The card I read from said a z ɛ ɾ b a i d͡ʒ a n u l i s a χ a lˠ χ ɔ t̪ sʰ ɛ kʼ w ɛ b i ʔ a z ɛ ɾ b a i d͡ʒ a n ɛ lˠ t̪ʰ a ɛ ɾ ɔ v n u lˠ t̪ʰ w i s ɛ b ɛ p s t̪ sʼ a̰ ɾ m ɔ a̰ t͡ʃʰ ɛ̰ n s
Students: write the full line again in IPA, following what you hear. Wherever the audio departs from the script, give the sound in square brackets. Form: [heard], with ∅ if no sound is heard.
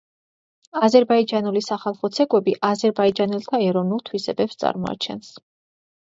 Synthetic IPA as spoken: a z ɛ ɾ b a i d͡ʒ a n u l i s a χ a lˠ χ ɔ t̪ sʰ ɛ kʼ w ɛ b i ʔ a z ɛ ɾ b a i d͡ʒ a n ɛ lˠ t̪ʰ a ɛ ɾ ɔ v n u lˠ t̪ʰ w i s ɛ b ɛ p s t̪ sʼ a̰ ɾ m ɔ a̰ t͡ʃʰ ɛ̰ n s